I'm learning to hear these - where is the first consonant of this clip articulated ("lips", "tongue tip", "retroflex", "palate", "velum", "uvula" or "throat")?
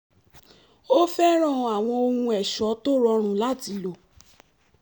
lips